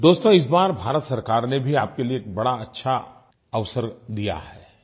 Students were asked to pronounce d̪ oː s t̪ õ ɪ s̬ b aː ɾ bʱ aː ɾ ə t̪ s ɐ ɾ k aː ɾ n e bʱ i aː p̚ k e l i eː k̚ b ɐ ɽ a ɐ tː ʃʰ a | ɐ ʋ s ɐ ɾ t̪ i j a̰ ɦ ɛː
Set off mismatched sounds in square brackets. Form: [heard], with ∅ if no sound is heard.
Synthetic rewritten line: d̪ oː s t̪ õ ɪ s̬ b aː ɾ bʱ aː ɾ ə t̪ s ɐ ɾ k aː ɾ n e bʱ i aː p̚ k e l i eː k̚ b ɐ ɽ a ɐ tː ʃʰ a | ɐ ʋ s [ə] ɾ [d̪] i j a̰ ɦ ɛː